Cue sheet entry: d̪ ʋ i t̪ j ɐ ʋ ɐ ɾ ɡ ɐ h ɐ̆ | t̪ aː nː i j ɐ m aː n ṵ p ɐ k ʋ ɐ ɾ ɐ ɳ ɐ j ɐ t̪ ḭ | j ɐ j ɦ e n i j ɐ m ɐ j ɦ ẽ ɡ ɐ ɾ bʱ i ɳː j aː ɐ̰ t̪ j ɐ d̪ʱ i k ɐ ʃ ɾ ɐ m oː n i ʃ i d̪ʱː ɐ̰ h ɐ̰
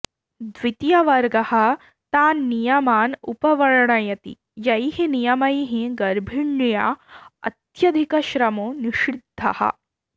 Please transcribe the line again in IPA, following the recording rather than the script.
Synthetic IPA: d̪ ʋ i t̪ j ɐ ʋ ɐ ɾ ɡ ɐ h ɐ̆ | t̪ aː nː i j ɐ m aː n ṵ p ɐ ʋ ɐ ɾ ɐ ɳ ɐ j ɐ t̪ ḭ | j ɐ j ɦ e n i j ɐ m ɐ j ɦ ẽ ɡ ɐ ɾ bʱ i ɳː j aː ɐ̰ t̪ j ɐ d̪ʱ i k ɐ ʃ ɾ ɐ m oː n i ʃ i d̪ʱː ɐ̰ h ɐ̰